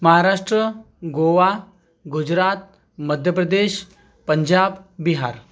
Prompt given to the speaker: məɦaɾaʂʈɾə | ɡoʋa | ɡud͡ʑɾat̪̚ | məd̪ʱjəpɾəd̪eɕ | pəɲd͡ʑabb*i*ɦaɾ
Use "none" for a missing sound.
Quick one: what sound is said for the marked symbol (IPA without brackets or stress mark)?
i